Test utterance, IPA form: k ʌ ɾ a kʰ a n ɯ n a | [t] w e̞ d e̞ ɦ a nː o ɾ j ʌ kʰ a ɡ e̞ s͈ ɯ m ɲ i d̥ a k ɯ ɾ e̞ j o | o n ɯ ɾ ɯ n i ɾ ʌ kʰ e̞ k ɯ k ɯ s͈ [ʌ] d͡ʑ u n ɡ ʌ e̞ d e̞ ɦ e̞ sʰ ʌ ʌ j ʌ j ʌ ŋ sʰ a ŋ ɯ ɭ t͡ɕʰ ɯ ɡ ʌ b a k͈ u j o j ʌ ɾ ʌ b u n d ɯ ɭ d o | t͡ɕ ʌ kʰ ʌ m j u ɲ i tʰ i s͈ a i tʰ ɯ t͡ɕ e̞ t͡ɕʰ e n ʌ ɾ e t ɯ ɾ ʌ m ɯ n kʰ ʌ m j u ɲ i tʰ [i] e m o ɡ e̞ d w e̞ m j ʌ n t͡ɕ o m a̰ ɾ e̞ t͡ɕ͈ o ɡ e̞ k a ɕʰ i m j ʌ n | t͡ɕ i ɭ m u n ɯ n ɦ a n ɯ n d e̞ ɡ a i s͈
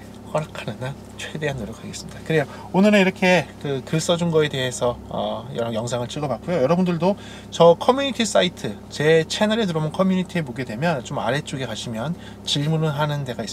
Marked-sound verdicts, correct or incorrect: incorrect: t͡ɕʰ, correct, correct

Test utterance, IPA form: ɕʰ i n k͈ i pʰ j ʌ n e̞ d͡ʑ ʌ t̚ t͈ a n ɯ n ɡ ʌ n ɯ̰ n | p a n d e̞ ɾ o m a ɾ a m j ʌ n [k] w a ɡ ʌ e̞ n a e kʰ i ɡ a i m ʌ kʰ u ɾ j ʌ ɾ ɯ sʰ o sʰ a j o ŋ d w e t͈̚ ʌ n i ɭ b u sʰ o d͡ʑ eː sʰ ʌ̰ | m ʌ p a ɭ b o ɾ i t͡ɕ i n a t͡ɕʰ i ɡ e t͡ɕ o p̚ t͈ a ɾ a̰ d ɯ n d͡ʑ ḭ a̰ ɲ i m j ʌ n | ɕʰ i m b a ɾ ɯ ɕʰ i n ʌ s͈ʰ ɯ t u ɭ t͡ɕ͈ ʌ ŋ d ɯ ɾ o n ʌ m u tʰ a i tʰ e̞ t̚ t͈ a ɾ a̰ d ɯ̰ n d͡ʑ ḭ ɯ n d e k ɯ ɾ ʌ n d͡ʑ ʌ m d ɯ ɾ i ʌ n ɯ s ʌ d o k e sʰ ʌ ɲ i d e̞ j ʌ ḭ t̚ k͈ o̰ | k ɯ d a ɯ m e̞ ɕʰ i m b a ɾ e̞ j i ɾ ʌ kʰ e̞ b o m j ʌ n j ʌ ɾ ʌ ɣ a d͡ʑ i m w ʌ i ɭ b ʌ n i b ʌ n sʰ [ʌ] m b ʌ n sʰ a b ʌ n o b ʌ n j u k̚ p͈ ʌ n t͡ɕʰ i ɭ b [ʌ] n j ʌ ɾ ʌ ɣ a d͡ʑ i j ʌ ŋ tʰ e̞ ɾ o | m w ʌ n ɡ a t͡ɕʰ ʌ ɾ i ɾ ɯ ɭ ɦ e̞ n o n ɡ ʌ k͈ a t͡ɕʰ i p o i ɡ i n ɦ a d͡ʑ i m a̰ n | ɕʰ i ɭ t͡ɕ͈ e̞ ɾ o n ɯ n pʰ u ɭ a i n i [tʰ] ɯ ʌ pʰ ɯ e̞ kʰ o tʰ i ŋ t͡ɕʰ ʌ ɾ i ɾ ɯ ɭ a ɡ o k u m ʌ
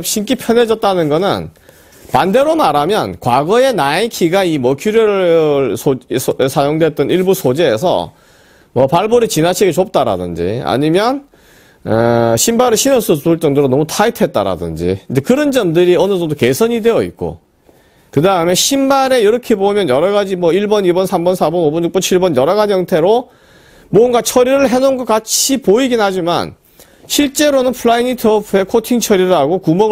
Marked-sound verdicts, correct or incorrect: correct, incorrect: a, correct, correct

